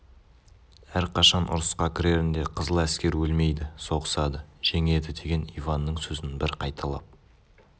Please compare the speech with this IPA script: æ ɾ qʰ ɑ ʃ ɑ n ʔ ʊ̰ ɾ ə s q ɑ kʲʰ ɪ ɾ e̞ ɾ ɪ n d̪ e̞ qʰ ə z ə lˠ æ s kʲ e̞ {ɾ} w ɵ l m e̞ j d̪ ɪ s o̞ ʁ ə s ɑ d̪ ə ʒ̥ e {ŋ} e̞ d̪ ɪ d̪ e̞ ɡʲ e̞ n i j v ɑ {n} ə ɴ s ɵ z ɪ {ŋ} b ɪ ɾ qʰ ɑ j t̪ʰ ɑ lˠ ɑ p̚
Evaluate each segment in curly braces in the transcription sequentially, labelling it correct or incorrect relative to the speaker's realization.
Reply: correct, correct, incorrect: nː, incorrect: n

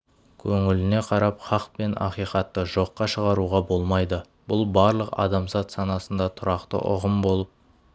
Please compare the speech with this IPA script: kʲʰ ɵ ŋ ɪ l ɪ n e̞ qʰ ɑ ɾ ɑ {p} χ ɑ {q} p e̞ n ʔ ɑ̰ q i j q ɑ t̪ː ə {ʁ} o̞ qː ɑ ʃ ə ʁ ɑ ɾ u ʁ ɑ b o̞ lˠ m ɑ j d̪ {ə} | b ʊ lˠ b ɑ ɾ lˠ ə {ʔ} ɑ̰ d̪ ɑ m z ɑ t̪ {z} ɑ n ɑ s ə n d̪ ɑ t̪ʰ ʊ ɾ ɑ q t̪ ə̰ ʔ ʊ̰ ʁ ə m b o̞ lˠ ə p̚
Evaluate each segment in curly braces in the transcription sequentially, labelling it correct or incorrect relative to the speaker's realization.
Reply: correct, correct, incorrect: ʒ, correct, incorrect: q, incorrect: s

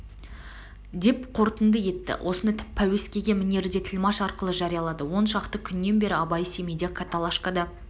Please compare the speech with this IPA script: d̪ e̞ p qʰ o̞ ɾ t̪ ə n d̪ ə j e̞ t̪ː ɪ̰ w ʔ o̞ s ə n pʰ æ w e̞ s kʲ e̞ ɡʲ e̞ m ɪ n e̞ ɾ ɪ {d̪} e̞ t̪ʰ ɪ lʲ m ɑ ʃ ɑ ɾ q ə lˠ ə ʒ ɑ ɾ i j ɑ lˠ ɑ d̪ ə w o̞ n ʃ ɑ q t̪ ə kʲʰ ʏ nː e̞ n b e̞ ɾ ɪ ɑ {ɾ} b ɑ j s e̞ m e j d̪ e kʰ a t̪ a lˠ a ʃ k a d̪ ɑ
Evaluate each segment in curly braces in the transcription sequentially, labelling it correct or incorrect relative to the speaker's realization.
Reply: correct, incorrect: none

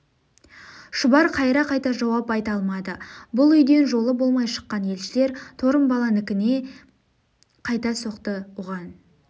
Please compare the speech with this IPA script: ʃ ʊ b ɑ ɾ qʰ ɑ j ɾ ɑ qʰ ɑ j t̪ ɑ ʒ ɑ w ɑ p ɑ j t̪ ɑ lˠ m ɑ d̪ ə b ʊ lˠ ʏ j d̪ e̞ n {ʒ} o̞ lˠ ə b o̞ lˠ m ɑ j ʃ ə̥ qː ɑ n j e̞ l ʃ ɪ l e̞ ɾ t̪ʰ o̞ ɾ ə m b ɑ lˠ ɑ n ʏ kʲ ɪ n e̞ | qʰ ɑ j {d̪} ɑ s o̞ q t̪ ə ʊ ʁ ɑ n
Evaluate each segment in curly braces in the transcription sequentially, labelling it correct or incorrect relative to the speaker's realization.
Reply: correct, incorrect: t̪

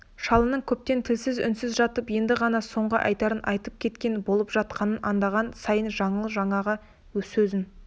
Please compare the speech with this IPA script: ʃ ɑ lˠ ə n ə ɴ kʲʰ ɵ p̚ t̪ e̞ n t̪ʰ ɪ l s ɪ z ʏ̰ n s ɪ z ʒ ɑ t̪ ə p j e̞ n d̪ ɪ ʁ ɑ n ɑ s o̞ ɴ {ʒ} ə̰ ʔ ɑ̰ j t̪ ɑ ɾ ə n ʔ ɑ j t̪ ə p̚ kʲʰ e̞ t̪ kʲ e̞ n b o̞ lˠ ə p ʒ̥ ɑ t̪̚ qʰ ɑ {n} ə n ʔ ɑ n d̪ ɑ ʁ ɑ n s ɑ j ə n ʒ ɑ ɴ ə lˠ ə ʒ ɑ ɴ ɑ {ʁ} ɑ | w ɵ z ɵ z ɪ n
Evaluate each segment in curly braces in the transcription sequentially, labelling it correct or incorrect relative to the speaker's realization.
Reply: incorrect: ʁ, correct, correct

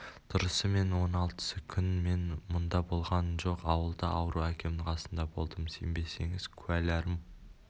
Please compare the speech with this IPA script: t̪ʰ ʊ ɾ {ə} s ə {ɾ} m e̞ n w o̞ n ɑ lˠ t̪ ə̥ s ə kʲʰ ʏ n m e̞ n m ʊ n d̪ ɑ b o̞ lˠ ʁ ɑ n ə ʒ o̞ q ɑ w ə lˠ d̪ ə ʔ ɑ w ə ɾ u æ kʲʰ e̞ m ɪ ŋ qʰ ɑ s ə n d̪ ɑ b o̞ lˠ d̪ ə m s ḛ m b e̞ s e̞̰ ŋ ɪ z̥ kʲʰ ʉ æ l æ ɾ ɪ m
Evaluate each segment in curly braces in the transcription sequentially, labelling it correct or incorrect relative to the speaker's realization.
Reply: correct, incorrect: none

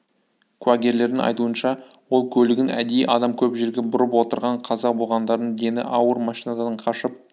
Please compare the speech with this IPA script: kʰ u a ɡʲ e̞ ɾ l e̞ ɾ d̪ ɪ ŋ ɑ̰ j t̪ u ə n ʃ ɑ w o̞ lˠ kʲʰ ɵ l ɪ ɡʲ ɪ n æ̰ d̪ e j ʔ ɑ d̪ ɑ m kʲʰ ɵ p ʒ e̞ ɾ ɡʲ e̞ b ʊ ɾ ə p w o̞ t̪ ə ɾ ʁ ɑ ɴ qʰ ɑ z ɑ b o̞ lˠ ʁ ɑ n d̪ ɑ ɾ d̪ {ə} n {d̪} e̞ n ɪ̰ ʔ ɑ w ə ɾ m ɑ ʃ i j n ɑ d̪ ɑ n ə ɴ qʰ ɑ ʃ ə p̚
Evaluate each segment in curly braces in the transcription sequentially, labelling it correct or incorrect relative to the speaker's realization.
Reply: correct, correct

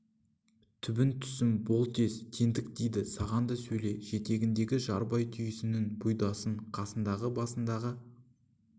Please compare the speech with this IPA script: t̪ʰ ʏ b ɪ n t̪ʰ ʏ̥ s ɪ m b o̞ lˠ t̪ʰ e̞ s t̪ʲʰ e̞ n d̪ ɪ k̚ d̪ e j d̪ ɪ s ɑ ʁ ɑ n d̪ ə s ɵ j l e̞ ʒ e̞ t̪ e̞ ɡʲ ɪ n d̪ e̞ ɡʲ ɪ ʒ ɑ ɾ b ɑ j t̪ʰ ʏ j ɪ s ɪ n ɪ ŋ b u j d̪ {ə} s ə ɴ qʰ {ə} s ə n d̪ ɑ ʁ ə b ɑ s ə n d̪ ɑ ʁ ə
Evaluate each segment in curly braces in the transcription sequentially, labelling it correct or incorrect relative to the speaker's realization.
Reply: incorrect: ɑ, incorrect: ɑ

